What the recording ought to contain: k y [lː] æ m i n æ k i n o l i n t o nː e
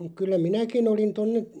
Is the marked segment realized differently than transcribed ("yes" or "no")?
no